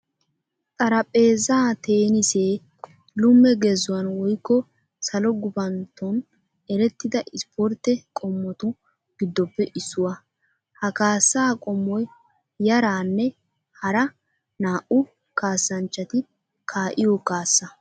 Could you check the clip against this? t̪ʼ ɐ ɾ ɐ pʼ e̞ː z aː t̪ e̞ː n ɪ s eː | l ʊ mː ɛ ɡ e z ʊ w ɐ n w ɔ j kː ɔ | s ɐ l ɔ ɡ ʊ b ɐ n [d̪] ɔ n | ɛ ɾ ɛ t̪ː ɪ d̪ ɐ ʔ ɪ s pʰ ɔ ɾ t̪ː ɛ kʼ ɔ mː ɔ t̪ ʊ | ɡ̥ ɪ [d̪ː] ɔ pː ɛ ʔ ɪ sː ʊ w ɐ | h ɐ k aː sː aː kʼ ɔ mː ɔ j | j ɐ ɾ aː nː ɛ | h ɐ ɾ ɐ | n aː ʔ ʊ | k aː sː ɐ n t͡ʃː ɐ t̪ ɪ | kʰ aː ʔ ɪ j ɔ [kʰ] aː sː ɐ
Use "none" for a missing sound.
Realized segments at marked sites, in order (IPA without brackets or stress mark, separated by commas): t̪, d̪ː, k